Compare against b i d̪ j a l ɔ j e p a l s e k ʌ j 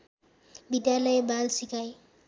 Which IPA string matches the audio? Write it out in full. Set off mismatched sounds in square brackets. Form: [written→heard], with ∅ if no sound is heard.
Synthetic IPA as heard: b i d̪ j a l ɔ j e [p→b] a l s [e→i] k [ʌ→a] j